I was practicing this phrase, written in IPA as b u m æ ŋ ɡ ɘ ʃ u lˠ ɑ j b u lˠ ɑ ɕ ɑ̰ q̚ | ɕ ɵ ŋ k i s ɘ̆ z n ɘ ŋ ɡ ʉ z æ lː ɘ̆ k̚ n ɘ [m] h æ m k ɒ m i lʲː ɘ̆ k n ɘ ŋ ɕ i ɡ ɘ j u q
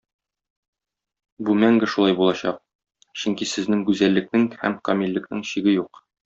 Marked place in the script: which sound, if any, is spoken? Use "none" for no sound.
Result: ŋ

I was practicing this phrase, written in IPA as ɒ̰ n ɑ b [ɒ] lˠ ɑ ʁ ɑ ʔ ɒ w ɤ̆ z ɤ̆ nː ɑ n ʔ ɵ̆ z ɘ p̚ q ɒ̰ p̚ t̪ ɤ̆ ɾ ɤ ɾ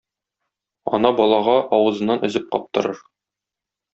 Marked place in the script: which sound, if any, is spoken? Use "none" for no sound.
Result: ɒ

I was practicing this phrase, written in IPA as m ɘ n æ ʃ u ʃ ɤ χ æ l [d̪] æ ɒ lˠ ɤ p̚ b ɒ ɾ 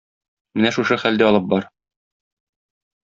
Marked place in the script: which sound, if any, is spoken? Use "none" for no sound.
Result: d̪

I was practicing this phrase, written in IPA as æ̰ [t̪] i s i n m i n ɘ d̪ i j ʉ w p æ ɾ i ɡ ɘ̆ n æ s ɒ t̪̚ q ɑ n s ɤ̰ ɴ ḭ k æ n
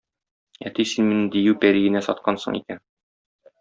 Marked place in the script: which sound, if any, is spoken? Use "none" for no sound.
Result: t̪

